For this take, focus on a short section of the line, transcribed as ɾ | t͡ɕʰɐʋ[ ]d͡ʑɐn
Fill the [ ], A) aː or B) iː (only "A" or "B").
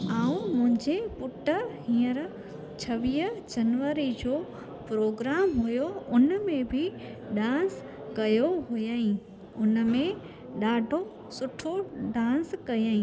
B